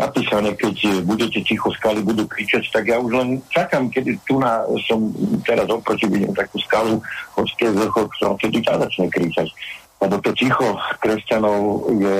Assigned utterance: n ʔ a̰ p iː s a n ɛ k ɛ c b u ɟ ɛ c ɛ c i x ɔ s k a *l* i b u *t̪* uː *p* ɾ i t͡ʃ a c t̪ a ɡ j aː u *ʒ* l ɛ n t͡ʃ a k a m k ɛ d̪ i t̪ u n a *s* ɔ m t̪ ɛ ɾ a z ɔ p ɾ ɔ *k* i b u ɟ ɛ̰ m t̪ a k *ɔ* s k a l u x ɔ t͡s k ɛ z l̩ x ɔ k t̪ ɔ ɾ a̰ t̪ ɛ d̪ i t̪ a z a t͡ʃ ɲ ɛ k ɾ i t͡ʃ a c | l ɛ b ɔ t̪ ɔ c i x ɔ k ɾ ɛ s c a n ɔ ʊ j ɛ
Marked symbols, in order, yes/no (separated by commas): yes, no, no, yes, yes, no, no